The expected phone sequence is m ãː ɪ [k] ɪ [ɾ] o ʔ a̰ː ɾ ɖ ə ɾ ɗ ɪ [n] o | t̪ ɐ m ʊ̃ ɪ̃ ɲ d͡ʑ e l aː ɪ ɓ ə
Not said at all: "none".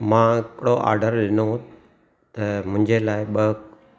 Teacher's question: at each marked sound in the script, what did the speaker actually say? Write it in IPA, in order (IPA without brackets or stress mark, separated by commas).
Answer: k, ɽ, n